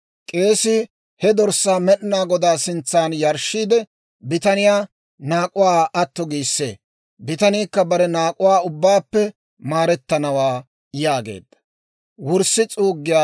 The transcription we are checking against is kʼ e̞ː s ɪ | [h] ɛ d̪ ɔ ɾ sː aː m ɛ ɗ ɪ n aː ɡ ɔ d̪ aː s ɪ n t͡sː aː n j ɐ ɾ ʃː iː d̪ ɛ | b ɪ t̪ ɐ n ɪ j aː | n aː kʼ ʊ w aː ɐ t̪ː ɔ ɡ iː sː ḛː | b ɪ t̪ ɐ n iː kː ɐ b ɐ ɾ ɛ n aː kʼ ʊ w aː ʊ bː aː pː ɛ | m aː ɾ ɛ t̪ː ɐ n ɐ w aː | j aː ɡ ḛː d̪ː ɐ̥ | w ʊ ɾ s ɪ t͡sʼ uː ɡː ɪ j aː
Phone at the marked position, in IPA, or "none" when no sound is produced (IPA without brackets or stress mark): h